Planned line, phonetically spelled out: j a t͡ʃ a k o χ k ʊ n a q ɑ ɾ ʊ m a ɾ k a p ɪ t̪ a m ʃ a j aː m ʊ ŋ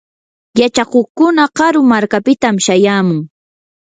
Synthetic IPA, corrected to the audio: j a t͡ʃ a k o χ k ʊ n a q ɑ ɾ ʊ m a ɾ k a p ɪ t̪ a m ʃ a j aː m ʊ ŋ